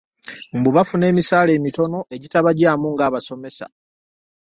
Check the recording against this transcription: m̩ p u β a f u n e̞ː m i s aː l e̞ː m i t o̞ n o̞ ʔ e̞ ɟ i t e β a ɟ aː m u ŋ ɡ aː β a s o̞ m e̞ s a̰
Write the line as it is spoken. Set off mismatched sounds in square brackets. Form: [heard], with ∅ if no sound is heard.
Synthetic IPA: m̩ [b] u β a f u n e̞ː m i s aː l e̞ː m i t o̞ n o̞ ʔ e̞ ɟ i t [a] β a ɟ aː m u ŋ ɡ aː β a s o̞ m e̞ s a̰